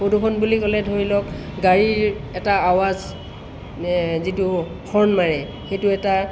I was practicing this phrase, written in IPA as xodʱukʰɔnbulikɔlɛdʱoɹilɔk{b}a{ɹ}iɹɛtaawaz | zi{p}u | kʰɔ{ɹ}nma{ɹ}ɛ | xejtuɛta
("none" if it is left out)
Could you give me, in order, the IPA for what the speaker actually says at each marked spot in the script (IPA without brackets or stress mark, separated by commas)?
ɡ, ɹ, t, ɹ, ɹ